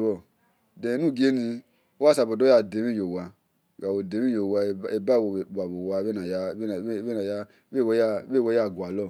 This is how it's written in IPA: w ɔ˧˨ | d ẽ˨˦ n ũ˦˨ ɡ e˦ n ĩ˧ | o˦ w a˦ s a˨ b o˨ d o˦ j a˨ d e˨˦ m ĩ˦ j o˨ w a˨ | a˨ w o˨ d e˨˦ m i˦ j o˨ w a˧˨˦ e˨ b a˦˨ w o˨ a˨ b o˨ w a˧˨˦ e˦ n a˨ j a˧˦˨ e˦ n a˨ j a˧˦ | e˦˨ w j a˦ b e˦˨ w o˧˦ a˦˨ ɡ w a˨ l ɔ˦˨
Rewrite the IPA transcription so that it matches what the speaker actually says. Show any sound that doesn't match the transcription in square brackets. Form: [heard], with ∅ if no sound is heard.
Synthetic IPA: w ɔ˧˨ | d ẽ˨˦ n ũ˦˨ ɡ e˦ n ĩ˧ | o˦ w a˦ s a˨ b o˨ d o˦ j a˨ d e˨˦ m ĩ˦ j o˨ w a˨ | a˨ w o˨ d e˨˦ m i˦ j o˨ w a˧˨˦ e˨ b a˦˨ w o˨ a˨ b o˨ w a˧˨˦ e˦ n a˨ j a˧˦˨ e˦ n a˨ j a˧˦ | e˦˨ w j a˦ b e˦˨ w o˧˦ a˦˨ ɡ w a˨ l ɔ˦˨